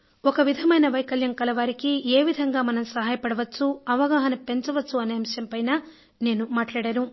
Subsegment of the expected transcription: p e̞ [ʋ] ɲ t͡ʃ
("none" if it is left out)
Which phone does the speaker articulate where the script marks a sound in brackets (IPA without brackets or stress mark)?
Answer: none